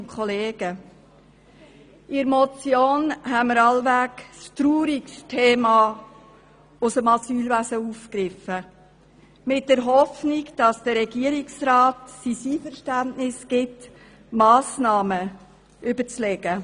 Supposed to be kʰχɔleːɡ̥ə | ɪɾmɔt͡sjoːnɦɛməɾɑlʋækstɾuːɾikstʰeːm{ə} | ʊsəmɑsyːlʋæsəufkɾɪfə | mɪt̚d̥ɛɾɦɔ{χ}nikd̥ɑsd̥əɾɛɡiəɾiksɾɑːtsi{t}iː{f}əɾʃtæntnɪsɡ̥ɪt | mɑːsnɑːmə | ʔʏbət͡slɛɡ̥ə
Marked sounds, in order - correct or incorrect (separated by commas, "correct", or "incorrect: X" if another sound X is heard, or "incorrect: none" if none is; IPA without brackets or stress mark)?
incorrect: ɑ, incorrect: f, incorrect: s, correct